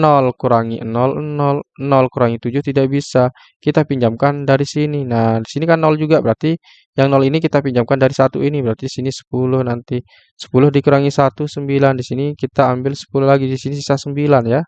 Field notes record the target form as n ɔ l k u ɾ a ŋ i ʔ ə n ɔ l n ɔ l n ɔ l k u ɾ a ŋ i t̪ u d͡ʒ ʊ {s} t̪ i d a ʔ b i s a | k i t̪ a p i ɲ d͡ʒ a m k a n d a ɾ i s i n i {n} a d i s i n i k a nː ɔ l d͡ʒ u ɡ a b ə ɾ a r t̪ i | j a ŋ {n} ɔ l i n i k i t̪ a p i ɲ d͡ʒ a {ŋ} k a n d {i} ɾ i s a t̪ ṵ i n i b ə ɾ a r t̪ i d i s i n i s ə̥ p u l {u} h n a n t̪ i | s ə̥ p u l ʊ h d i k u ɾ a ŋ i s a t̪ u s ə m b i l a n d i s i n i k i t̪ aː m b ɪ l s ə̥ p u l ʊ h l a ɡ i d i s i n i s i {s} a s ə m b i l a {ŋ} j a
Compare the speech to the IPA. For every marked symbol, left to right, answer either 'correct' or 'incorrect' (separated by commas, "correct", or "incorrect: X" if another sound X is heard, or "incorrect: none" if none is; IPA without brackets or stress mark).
incorrect: h, correct, correct, incorrect: m, incorrect: a, incorrect: ʊ, correct, incorrect: n